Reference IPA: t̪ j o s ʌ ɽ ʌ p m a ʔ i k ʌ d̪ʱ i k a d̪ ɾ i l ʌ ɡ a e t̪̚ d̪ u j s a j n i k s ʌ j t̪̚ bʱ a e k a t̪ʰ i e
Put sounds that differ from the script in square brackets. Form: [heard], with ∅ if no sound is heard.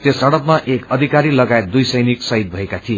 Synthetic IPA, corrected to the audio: t̪ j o s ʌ ɽ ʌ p m a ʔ [e] k ʌ d̪ʱ i k a [∅] ɾ i l ʌ ɡ a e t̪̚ d̪ u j s [ʌ] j n i k s ʌ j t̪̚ bʱ [ʌ] e k a t̪ʰ i e